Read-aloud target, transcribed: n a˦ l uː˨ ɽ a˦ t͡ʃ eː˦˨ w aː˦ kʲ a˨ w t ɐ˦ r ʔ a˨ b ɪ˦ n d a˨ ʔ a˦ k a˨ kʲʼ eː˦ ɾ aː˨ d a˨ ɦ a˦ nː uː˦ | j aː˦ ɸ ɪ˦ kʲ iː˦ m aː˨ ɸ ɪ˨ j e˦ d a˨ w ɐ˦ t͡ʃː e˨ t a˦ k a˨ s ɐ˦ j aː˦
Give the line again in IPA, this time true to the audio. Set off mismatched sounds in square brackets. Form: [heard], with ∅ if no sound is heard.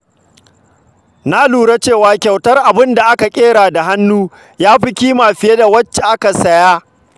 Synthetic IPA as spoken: n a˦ l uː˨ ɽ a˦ t͡ʃ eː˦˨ w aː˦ kʲ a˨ w t ɐ˦ r ʔ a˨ b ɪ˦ n d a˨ ʔ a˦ k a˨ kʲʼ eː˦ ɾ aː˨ d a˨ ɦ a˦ nː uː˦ | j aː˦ ɸ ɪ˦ kʲ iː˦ m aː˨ ɸ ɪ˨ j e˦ d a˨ w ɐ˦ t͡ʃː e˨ [ʔ] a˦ k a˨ s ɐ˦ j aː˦